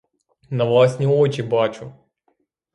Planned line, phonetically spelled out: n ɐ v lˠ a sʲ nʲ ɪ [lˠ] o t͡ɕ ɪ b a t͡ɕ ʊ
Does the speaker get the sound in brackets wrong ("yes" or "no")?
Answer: yes